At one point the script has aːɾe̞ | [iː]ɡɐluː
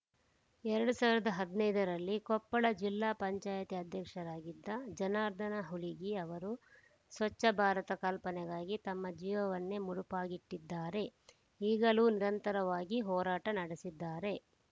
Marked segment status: correct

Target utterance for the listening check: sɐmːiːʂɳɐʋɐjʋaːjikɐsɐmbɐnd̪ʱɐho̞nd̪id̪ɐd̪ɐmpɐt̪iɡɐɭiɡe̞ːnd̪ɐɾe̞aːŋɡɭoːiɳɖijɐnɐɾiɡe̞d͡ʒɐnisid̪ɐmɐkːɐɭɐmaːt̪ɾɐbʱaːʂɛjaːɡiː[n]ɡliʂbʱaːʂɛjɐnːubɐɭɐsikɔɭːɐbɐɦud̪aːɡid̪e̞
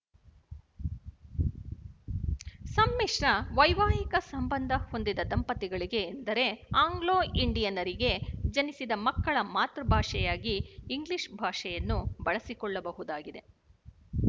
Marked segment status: incorrect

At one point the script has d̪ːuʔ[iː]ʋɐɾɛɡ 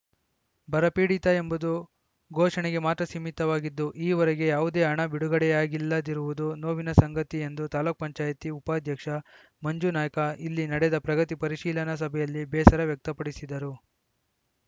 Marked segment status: correct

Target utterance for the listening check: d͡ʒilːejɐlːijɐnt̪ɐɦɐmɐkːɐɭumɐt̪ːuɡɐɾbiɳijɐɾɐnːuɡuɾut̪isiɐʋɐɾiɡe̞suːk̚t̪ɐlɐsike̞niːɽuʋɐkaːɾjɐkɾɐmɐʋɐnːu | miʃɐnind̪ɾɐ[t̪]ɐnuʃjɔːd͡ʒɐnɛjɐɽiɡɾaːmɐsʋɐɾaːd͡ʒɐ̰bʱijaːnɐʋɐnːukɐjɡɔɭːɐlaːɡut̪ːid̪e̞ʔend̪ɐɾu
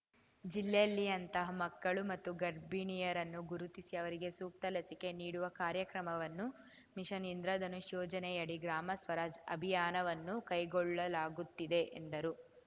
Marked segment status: incorrect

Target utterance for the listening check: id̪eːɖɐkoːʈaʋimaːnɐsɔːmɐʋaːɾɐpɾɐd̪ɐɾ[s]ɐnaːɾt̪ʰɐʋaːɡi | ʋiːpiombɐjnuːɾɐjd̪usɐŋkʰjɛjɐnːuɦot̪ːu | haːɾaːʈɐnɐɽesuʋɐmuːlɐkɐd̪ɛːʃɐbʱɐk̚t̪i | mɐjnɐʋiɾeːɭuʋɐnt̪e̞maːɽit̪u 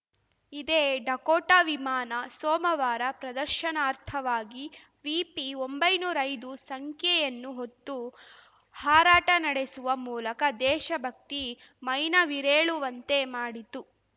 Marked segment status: incorrect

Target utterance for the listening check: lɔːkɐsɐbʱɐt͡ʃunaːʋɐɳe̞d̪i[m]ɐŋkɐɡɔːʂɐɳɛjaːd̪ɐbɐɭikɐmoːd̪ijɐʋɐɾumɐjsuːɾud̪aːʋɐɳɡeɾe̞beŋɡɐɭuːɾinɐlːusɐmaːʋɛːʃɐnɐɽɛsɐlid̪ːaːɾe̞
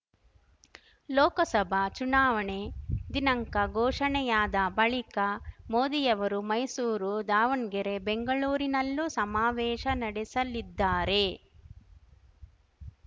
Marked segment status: incorrect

